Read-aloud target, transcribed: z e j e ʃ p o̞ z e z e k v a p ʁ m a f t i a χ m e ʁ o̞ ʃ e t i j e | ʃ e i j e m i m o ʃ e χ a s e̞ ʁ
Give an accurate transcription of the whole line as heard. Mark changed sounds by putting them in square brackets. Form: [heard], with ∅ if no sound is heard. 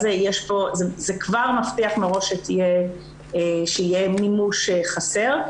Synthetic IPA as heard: z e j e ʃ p o̞ z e z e k v a [∅] ʁ m a f t i a χ m e ʁ o̞ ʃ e t i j e | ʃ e i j e m i m [u] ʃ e χ a s e̞ ʁ

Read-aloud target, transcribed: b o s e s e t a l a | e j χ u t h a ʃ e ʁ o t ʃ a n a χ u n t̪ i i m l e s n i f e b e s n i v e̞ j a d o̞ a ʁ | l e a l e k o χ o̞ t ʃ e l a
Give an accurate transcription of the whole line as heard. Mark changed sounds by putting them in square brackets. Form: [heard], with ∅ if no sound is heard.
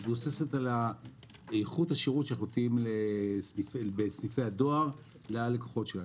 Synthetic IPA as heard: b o s e s e t a l a | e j χ u t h a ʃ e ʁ [u] t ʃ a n a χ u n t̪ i i m l e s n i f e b e s n i [f] e̞ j a d o̞ a ʁ | l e a l e k o χ o̞ t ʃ e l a

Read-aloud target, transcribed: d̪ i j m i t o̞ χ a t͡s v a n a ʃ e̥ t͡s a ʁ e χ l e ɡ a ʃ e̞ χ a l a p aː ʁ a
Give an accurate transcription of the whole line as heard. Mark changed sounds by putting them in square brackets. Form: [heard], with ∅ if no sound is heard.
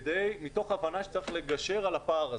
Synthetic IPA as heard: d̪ [e] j m i t o̞ χ a [∅] v a n a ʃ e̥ t͡s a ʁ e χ l e ɡ a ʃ e̞ [ʁ] a l a p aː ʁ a

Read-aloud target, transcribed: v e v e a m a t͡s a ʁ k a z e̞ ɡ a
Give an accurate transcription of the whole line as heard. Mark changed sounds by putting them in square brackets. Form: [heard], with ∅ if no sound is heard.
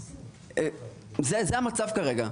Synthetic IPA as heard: [z] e [z] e a m a t͡s a [v] k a [ʁ] e̞ ɡ a

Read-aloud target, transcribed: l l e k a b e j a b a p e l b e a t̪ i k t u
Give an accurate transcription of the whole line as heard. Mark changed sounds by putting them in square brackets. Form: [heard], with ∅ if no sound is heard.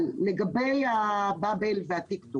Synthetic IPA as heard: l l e [ɡ] a b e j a b a [b] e l [v] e a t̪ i k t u

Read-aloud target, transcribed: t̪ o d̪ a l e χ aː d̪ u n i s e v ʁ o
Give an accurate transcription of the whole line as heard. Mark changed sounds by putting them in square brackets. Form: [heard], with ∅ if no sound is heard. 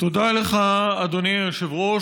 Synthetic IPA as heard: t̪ o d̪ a l e χ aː d̪ [o] n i [ʃ] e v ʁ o

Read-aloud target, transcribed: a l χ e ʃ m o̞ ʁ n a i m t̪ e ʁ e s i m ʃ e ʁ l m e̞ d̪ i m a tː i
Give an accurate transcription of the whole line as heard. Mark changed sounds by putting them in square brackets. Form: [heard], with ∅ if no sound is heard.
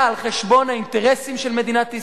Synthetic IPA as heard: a l χ e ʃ [b] o̞ [∅] n a i [n] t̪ e ʁ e s i m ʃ e [∅] l m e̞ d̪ i [n] a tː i

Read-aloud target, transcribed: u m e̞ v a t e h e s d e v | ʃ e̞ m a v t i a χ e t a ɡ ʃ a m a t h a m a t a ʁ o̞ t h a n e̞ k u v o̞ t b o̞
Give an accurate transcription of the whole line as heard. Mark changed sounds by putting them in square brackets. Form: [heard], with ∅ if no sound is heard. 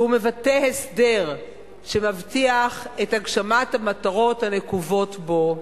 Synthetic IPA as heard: u m e̞ v a t e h e s d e [ʁ] | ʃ e̞ m a v t i a χ e t a ɡ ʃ a m a t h a m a t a ʁ o̞ t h a n e̞ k u v o̞ t b o̞

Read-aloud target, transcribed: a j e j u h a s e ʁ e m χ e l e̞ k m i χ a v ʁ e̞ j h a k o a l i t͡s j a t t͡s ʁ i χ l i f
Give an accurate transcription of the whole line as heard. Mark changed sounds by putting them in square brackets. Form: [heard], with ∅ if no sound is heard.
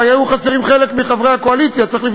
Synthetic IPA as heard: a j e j u [χ] a s e ʁ [i] m χ e l e̞ k m i χ a v ʁ e̞ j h a k o a l i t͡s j a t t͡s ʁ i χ l i f

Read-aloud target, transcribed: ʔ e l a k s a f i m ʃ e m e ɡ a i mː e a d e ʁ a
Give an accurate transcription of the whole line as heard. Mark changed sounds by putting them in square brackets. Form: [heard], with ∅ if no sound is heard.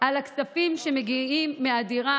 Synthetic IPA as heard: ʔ [a] l a k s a f i m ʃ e m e ɡ [i] i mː e a d [i] ʁ a

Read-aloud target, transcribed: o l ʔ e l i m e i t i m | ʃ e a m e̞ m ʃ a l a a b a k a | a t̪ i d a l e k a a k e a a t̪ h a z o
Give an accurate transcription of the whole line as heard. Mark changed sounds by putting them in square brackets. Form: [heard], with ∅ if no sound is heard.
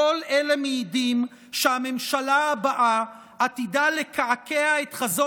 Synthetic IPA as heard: o l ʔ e l [e] m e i [d] i m | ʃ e a m e̞ m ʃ a l a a b a [ʔ] a | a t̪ i d a l e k a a k e a [e] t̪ [χ] a z o

